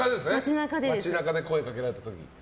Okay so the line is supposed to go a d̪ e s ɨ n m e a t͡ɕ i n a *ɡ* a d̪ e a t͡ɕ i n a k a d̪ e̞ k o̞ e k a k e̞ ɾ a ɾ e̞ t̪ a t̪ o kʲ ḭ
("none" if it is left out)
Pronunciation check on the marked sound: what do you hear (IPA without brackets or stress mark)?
k